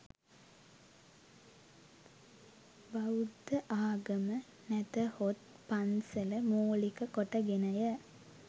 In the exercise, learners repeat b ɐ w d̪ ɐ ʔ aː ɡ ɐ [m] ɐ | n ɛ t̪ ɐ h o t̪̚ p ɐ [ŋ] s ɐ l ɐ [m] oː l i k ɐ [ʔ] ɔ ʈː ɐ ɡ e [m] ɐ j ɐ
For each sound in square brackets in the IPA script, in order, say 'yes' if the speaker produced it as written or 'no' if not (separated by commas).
yes, no, yes, no, no